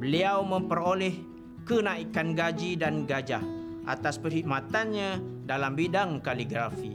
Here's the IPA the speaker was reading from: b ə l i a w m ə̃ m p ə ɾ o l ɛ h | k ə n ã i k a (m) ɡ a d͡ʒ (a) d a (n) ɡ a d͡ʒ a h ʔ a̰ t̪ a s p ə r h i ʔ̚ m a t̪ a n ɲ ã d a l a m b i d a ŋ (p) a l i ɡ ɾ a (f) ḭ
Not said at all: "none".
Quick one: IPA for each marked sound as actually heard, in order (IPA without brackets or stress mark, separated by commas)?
n, i, n, k, f